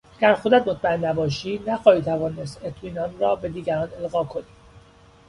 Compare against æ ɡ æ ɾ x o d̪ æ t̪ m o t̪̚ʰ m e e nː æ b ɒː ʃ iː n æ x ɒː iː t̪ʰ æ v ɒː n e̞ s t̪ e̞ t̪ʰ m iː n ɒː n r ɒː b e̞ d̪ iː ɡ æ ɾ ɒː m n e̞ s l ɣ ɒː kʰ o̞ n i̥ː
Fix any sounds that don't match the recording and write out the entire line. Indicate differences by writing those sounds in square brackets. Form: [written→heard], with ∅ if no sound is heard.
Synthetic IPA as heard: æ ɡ æ ɾ x o d̪ æ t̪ m o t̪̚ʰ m [e→æ] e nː æ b ɒː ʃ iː n æ x ɒː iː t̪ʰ æ v ɒː n e̞ s t̪ e̞ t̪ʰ m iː n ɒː n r ɒː b e̞ d̪ iː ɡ æ ɾ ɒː [m→∅] n e̞ [s→∅] l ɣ ɒː kʰ o̞ n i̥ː